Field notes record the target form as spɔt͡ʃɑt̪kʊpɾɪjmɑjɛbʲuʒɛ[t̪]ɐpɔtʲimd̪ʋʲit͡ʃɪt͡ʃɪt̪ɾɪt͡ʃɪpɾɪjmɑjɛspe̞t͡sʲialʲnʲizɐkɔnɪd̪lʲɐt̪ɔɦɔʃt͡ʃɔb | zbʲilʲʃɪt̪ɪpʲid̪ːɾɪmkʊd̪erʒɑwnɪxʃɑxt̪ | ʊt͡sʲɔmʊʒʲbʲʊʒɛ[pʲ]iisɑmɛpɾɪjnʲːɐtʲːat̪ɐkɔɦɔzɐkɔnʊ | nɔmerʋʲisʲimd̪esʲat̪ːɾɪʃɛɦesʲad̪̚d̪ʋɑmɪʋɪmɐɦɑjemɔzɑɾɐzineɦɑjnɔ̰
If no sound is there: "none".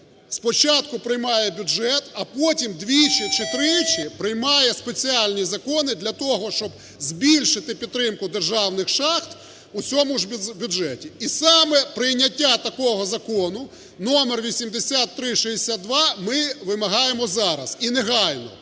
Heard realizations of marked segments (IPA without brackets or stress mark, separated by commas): t̪, tʲ